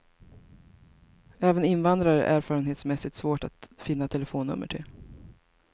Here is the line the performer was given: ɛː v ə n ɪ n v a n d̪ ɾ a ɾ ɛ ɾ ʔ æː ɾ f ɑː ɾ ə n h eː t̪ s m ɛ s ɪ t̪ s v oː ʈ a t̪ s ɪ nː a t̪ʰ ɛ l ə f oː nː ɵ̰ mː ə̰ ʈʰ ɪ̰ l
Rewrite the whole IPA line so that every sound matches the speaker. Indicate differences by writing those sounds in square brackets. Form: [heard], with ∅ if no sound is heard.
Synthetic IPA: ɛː v ə n ɪ n v a n d̪ ɾ a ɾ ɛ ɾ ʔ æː ɾ f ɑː ɾ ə n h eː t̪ s m ɛ s ɪ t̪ s v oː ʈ a t̪ [f] ɪ nː a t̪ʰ ɛ l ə f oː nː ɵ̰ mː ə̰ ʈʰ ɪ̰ l